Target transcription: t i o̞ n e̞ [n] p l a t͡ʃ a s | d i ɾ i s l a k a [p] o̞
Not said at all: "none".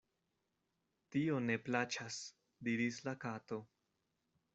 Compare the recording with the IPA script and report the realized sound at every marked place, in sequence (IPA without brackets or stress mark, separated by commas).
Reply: none, t